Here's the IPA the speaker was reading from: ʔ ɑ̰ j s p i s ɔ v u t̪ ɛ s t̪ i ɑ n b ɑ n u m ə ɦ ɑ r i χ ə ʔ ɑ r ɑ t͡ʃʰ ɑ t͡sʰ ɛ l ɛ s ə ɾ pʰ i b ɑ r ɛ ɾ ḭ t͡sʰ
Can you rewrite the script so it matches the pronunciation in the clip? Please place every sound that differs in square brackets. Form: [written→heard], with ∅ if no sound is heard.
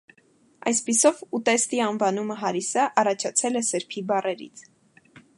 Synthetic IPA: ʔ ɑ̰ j s p i s ɔ v u t̪ ɛ s t̪ i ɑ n [b→v] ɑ n u m ə ɦ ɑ [r→ɾ] i [χ→s] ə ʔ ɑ r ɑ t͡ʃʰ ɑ t͡sʰ ɛ l ɛ s ə ɾ pʰ i b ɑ r ɛ ɾ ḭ t͡sʰ